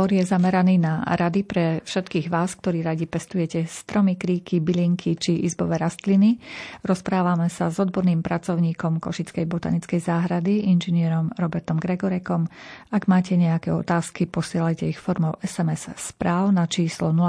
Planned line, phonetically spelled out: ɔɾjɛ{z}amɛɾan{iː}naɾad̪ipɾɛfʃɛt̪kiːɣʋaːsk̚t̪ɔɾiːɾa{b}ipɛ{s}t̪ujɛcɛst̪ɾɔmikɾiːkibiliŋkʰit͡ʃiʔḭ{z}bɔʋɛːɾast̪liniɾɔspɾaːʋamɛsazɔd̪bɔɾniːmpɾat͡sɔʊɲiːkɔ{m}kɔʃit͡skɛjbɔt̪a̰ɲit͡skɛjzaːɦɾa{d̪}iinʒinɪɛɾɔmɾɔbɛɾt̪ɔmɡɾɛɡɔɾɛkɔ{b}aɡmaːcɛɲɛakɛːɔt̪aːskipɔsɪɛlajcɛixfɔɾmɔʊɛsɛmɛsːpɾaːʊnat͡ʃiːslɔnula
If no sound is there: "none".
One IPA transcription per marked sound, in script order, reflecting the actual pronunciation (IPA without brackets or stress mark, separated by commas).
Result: z, iː, ɟ, s, z, m, d̪, m